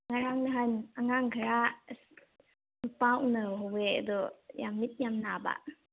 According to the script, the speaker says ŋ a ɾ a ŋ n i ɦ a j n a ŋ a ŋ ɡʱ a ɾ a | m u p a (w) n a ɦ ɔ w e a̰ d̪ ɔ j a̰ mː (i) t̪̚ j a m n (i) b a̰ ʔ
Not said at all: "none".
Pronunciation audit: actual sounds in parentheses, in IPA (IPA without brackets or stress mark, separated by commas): w, i, a